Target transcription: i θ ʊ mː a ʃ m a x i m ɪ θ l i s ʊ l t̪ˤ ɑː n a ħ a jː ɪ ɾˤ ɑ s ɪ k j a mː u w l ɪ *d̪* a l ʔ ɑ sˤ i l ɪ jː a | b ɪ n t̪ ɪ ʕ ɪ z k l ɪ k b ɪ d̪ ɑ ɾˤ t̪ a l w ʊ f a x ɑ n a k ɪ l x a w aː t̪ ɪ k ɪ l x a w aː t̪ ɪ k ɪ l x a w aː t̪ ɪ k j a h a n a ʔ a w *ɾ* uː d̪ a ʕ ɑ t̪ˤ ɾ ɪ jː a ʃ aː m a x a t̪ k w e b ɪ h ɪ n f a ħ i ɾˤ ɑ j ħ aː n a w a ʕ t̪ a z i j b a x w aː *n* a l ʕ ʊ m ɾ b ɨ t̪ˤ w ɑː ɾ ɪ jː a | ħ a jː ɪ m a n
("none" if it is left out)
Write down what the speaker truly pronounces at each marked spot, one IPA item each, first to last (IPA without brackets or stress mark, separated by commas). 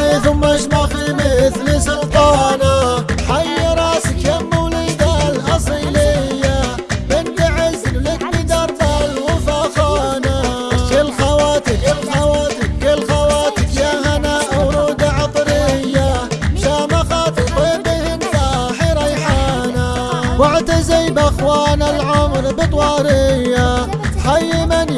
d̪, ɾ, n